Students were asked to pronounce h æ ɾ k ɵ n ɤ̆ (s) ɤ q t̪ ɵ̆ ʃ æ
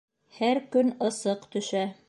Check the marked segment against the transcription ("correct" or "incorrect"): correct